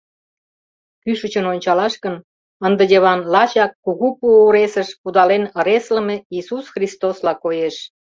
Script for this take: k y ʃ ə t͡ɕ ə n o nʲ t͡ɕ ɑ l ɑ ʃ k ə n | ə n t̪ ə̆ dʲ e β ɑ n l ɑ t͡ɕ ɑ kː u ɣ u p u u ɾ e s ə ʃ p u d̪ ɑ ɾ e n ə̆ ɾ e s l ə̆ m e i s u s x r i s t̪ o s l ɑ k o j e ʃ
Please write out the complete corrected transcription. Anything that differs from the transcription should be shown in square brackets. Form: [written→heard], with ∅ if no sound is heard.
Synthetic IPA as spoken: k y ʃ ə t͡ɕ ə n o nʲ t͡ɕ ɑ l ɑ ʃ k ə n | ə n [t̪→d̪] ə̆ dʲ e β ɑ n l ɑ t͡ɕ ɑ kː u ɣ u p u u ɾ e s ə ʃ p u d̪ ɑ [ɾ→l] e n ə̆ ɾ e s l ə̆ m e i s u s x r i s t̪ o s l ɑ k o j e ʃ